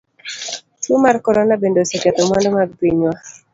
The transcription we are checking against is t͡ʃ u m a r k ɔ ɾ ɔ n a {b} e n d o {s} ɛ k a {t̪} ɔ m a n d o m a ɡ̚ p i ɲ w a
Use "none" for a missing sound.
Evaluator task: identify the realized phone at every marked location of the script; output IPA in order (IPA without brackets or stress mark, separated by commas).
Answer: b, s, t̪